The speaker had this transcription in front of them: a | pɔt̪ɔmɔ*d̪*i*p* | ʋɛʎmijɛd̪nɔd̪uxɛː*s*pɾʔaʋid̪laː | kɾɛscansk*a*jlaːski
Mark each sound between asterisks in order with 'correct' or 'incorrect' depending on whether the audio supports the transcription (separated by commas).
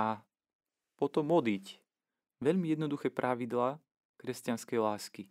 correct, incorrect, incorrect, incorrect